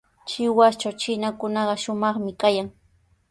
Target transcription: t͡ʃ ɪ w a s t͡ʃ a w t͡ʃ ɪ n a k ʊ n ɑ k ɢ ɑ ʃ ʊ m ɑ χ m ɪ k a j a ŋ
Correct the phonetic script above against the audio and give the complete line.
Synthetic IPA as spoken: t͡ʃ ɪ w a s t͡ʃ a w t͡ʃ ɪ n a k ʊ n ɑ ɢ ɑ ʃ ʊ m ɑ χ m ɪ k a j a ŋ